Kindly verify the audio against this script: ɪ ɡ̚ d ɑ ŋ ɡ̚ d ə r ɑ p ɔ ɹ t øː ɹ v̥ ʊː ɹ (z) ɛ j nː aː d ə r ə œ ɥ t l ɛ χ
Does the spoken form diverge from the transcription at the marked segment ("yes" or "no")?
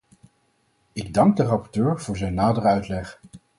no